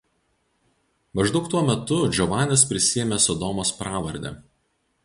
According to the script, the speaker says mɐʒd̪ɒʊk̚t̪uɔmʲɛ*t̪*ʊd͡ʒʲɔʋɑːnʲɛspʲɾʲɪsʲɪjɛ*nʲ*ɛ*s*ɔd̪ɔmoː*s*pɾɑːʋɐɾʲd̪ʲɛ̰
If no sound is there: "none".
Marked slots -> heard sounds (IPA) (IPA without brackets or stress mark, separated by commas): t̪, mʲ, s, s